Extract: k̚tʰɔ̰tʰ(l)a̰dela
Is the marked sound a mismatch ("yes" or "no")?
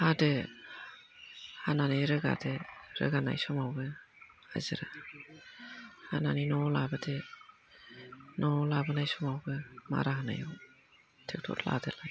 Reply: no